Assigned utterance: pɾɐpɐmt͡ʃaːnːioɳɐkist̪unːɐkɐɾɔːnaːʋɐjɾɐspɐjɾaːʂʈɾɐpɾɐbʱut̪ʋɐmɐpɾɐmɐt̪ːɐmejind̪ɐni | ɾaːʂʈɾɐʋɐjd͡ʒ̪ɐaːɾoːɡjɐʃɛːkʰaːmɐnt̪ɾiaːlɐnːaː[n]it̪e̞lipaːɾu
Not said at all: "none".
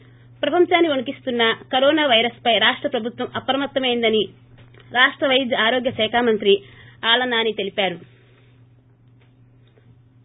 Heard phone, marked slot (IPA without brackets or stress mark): n